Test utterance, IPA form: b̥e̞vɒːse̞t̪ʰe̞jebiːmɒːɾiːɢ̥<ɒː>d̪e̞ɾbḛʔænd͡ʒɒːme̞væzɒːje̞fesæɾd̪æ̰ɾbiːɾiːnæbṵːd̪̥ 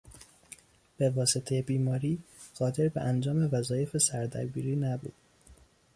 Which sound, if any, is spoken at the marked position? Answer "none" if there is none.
ɒː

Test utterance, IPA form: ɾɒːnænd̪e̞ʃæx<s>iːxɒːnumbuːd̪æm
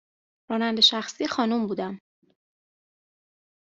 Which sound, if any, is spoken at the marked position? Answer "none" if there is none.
s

